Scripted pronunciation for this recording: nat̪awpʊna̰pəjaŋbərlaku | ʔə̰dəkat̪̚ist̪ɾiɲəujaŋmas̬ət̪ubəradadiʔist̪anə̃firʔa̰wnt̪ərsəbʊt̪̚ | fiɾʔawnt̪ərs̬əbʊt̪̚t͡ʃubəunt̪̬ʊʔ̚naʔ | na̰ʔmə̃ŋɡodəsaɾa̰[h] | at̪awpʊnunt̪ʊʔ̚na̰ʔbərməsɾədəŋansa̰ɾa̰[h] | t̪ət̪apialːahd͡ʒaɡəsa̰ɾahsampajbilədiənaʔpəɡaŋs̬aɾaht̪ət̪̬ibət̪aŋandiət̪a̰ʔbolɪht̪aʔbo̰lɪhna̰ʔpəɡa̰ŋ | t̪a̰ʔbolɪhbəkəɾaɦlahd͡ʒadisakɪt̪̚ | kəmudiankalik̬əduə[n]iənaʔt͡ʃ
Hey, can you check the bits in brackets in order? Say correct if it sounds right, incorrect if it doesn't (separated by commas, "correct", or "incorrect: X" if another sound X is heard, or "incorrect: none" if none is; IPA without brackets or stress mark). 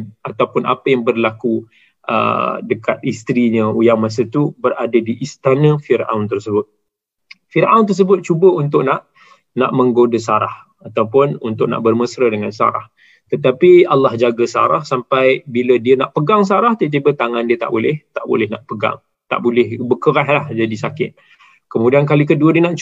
correct, correct, incorrect: d